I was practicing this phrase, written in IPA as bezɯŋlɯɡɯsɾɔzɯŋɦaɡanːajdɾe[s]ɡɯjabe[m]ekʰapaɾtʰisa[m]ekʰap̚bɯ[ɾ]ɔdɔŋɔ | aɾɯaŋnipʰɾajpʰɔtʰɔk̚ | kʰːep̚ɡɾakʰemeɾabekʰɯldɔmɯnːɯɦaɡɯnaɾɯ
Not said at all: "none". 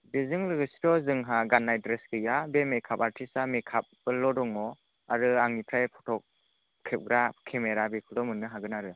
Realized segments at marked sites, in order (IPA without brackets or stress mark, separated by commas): s, m, m, l